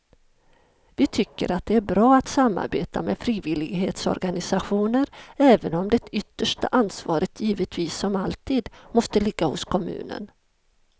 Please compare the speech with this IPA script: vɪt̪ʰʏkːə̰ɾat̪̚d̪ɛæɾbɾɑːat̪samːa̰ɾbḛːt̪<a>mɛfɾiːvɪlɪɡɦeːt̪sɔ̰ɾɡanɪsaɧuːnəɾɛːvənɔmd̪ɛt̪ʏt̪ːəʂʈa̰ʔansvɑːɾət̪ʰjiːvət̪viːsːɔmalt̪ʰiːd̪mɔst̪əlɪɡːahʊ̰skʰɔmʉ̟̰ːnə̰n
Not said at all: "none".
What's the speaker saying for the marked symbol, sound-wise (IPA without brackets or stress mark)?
a